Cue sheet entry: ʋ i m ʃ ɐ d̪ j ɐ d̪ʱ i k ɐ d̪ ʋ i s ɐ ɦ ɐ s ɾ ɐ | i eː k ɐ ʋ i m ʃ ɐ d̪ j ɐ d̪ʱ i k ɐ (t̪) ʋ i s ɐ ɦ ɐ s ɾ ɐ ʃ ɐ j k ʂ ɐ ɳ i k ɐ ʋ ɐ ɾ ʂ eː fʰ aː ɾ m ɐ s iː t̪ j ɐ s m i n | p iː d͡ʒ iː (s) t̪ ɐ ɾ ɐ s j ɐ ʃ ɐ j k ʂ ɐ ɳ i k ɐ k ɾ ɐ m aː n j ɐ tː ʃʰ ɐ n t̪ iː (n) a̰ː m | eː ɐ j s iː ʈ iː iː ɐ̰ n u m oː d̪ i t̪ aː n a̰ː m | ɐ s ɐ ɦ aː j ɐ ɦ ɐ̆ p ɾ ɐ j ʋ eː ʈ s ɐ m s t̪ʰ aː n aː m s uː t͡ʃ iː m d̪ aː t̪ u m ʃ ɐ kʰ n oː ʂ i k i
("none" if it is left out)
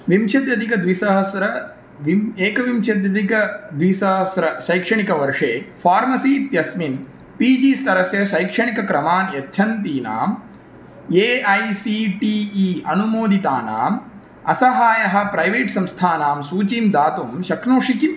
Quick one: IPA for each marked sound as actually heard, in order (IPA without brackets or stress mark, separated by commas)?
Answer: d̪, s, n